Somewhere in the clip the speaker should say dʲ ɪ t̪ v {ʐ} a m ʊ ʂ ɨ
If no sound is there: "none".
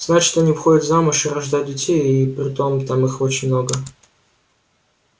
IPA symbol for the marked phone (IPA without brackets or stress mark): z